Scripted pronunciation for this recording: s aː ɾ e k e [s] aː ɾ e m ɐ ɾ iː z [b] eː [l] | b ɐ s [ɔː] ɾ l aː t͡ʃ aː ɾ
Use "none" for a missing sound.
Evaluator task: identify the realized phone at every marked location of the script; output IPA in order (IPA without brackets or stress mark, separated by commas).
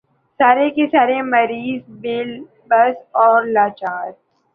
s, b, l, ɔː